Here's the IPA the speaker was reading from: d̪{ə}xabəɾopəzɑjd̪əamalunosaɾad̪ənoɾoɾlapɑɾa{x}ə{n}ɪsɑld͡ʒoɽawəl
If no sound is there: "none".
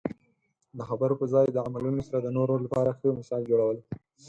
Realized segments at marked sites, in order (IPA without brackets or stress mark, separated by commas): ə, x, m